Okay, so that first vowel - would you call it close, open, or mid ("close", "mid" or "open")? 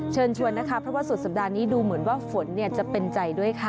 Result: mid